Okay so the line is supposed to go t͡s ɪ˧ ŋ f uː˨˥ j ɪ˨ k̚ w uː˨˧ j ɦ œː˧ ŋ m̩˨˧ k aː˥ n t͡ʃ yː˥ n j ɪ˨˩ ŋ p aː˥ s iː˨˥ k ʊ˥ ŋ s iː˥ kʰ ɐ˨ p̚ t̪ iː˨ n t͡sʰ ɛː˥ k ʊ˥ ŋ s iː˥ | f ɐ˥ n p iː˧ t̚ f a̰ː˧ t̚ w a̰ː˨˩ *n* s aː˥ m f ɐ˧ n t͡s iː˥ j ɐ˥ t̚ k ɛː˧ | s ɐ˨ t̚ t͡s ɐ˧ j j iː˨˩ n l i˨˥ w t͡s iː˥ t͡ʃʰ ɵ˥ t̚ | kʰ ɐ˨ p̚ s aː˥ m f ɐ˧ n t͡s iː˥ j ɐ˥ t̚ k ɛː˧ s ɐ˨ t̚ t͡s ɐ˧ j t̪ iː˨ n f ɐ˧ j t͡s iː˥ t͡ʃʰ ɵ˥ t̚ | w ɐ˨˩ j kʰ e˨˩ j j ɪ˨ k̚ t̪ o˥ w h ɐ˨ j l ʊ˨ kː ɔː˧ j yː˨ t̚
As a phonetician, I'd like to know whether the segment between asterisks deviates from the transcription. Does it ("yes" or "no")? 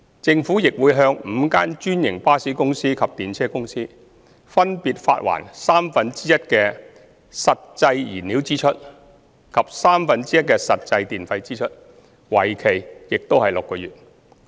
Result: no